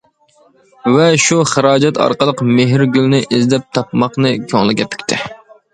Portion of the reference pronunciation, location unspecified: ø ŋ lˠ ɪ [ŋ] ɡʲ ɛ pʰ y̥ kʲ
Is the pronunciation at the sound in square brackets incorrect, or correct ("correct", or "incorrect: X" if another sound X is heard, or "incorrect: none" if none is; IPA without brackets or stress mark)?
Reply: incorrect: none